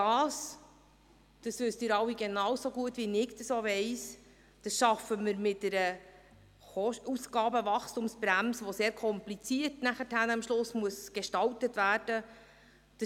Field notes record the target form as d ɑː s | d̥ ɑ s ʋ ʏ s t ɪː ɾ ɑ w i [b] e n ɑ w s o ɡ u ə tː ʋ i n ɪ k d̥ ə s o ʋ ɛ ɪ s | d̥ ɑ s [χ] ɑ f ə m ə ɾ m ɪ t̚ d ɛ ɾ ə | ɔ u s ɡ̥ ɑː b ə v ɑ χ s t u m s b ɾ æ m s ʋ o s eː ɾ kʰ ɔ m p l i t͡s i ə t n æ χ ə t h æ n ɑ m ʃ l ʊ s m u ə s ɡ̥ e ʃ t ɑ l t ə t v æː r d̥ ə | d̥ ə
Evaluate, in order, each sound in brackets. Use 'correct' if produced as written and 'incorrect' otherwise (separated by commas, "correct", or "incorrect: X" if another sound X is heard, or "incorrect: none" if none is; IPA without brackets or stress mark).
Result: incorrect: ɡ, incorrect: ʃ